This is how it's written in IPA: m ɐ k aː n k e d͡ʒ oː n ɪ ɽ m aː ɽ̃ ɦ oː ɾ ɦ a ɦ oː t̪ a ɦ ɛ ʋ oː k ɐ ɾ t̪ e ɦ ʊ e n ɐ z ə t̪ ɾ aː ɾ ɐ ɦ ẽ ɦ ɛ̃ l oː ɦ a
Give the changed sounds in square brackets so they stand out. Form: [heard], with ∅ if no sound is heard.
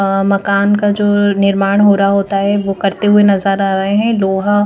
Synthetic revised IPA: m ɐ k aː n k [a] d͡ʒ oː n ɪ [ɾ] m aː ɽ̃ ɦ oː ɾ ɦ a ɦ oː t̪ a ɦ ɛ ʋ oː k ɐ ɾ t̪ e ɦ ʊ e n ɐ z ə [∅] ɾ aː ɾ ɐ ɦ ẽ ɦ ɛ̃ l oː ɦ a